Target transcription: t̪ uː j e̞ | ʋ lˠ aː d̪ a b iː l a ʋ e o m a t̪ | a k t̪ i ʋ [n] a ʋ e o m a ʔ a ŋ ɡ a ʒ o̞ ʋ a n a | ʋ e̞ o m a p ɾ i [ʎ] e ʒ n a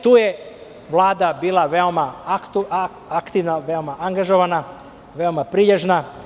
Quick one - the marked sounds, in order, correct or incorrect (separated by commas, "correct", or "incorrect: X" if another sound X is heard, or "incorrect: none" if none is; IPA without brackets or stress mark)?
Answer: correct, correct